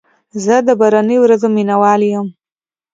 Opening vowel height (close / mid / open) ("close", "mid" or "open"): mid